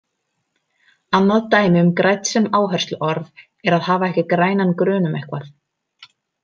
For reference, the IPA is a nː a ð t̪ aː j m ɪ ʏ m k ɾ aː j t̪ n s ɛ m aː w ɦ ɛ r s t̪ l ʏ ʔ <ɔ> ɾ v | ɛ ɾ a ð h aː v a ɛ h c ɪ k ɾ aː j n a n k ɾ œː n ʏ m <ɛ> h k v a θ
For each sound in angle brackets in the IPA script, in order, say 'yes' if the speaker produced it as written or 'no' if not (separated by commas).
yes, yes